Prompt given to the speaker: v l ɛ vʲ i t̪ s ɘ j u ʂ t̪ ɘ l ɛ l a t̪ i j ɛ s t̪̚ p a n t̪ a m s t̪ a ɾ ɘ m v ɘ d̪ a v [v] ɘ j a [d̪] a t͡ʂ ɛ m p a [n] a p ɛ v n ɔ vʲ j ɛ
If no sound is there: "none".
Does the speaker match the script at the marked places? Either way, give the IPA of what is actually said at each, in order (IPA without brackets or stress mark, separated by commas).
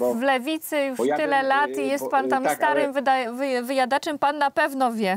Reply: v, d̪, nː